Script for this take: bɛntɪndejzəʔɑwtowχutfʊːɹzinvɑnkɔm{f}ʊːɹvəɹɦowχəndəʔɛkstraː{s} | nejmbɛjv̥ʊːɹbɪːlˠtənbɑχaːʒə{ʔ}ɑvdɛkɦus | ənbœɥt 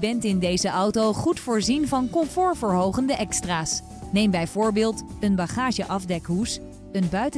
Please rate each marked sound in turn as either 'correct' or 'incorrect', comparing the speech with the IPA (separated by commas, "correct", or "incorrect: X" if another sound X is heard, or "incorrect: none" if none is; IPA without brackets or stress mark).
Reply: correct, correct, correct